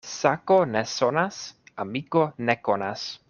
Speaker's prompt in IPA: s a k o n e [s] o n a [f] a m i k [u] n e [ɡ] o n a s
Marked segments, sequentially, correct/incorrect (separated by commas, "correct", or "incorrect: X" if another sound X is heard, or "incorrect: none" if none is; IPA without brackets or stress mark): correct, incorrect: s, incorrect: o, incorrect: k